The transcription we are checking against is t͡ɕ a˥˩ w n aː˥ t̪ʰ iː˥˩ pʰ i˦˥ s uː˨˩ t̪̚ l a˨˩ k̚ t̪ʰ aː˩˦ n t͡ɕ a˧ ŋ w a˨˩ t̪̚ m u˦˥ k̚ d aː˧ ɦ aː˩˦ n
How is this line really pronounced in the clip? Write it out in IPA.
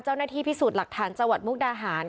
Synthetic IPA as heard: t͡ɕ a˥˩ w n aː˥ t̪ʰ iː˥˩ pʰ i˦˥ s uː˨˩ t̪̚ l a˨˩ k̚ t̪ʰ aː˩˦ n t͡ɕ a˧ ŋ w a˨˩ t̪̚ m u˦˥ k̚ d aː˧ ɦ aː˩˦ n